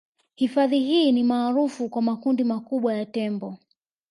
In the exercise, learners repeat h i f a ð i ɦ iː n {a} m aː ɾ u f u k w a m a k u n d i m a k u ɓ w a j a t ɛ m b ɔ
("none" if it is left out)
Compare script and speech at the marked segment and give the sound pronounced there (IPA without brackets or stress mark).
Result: i